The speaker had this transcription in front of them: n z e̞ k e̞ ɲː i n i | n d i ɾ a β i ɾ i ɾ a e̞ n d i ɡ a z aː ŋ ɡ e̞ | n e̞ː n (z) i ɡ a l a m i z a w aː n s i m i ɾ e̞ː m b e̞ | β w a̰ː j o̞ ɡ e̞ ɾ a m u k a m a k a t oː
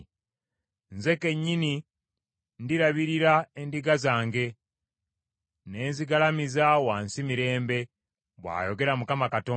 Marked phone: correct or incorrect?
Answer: correct